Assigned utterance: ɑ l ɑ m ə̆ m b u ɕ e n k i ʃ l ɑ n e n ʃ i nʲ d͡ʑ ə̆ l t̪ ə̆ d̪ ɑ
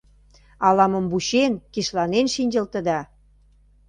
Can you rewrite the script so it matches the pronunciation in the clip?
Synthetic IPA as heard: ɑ l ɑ m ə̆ m b u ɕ e n k i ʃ l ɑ n e n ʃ i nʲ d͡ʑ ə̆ l t̪ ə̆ d̪ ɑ

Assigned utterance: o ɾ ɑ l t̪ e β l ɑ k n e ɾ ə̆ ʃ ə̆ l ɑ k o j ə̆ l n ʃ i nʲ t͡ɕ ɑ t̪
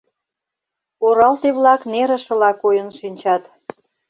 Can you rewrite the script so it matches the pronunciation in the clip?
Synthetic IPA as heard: o ɾ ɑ l t̪ e β l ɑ k n e ɾ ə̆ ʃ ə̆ l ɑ k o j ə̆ n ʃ i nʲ t͡ɕ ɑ t̪

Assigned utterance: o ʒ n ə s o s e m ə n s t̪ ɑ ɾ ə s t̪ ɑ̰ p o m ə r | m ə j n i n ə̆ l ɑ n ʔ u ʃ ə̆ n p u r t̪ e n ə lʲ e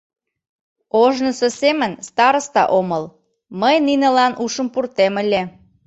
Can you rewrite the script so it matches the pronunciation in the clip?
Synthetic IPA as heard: o ʒ n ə s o s e m ə n s t̪ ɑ ɾ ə s t̪ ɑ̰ ʔ o m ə l | m ə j n i n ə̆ l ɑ n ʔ u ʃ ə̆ m p u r t̪ e m ə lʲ e

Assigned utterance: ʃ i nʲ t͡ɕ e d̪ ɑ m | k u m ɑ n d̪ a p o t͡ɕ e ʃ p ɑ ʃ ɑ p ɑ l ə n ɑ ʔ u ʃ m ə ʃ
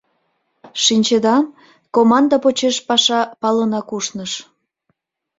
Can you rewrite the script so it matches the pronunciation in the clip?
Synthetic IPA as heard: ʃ i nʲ t͡ɕ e d̪ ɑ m | k o m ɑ n d̪ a p o t͡ɕ e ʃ p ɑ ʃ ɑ p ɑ l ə n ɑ k u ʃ n ə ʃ

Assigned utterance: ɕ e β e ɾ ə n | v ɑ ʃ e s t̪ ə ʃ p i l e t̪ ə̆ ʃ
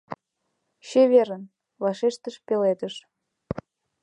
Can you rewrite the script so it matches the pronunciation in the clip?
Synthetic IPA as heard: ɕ e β e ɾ ə n | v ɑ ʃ e ʃ t̪ ə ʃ p e l e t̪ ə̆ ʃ

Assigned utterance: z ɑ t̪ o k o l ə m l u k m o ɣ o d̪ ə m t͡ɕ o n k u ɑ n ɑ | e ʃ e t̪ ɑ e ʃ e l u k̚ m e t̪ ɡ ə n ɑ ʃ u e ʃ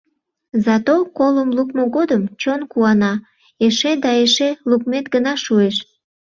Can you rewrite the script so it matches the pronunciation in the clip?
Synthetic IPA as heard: z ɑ t̪ o k o l ə m l u k m o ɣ o d̪ ə m t͡ɕ o n k u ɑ n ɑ | e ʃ e d̪ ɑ e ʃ e l u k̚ m e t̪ ɡ ə n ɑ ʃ u e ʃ

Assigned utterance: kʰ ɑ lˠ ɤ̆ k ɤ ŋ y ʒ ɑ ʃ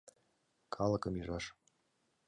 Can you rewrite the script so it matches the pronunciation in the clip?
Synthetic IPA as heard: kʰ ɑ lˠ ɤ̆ k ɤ m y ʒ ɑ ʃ

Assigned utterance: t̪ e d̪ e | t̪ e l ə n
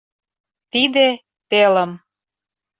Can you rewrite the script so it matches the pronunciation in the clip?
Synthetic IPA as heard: t̪ i d̪ e | t̪ e l ə m

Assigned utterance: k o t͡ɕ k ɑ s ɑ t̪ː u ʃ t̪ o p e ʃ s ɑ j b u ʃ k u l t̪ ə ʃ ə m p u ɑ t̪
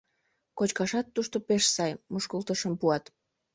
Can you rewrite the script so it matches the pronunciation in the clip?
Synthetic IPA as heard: k o t͡ɕ k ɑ ʃ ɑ t̪ː u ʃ t̪ o p e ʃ s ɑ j m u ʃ k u l t̪ ə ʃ ə m p u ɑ t̪

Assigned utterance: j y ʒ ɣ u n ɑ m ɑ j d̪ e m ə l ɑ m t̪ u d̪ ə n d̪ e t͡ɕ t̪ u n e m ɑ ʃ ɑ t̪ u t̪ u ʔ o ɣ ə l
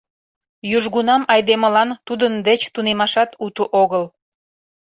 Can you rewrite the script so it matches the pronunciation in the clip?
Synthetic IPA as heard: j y ʒ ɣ u n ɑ m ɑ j d̪ e m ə l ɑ n t̪ u d̪ ə n d̪ e t͡ɕ t̪ u n e m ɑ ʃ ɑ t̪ u t̪ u ʔ o ɣ ə l

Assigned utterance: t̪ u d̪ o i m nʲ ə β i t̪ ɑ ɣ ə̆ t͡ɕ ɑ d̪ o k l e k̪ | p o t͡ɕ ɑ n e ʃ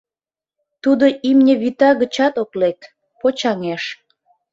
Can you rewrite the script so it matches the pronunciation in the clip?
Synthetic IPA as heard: t̪ u d̪ o i m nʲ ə β i t̪ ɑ ɣ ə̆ t͡ɕ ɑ t̪ o k l e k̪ | p o t͡ɕ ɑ ŋ e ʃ

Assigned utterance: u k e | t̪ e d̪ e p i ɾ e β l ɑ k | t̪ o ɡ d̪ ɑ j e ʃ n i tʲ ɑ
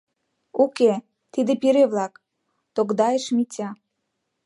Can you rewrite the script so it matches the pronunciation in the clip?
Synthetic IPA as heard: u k e | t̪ i d̪ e p i ɾ e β l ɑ k | t̪ o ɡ d̪ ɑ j e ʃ m i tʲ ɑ

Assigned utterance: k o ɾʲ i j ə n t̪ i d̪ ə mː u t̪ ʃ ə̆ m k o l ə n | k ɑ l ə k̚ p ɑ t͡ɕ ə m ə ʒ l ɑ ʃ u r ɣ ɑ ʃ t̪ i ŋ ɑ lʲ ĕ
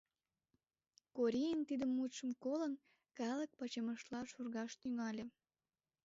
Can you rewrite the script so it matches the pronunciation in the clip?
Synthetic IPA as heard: k o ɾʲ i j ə n t̪ i d̪ ə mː u t̪ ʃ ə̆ m k o l ə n | k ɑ l ə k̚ p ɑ t͡ɕ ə m ə ʃ l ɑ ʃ u r ɣ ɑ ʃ t̪ y ŋ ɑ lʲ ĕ

